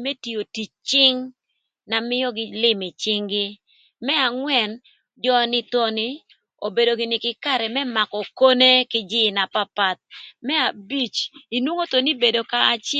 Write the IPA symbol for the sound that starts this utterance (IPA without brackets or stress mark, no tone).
m